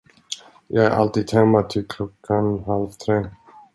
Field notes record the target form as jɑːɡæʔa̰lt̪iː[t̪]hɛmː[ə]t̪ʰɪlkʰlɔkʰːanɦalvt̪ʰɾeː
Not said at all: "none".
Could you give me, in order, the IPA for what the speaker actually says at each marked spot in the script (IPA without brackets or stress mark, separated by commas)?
d̪, a